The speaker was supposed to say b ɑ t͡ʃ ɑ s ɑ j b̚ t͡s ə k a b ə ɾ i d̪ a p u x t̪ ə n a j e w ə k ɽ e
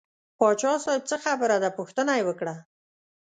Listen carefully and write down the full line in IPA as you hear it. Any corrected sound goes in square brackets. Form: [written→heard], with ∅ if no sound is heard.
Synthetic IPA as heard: [b→p] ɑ t͡ʃ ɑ s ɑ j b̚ t͡s ə [k→x] a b ə ɾ [i→a] d̪ a p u x t̪ ə n a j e w ə k ɽ [e→a]